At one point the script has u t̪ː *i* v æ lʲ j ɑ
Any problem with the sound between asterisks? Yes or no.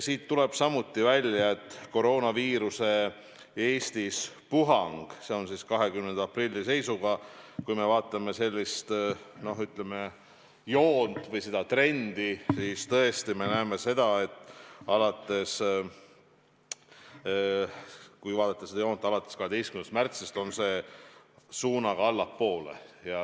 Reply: no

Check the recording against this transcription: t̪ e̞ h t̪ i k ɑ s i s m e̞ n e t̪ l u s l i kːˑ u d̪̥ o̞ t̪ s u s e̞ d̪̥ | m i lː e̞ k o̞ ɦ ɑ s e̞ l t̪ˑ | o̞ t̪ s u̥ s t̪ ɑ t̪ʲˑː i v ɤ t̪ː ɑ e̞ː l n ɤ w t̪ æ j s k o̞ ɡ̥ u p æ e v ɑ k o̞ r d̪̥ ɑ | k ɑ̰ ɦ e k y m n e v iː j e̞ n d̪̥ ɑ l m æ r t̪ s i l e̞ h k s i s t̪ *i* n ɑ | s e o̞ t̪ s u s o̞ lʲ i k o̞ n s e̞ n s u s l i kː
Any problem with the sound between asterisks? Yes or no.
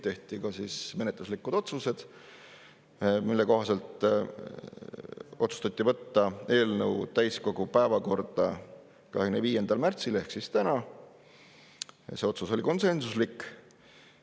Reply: yes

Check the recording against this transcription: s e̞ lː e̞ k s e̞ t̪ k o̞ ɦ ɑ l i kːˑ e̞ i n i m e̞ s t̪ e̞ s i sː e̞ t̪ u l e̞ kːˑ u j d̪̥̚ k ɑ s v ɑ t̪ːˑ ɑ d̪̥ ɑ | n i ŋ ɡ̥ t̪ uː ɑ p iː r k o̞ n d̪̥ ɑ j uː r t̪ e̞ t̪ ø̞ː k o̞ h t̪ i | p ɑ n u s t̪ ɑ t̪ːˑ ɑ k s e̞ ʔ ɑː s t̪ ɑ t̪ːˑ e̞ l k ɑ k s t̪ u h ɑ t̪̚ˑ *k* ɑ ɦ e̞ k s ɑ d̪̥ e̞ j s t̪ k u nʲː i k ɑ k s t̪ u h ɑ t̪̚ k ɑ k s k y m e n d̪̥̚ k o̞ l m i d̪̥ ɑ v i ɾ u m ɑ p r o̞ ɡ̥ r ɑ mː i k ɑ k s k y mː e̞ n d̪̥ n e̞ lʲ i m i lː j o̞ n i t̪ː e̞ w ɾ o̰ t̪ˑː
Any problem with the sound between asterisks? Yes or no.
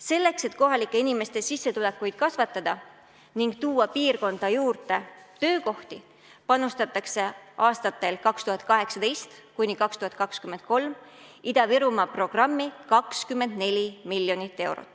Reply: no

